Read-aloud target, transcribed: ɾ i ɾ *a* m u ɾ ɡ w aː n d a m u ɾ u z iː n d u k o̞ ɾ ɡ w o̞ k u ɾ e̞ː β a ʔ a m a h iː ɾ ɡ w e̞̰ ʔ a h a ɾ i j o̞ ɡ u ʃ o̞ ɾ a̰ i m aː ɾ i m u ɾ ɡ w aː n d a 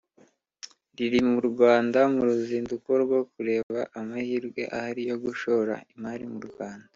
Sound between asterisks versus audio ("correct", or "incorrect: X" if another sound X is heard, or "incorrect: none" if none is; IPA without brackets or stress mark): incorrect: i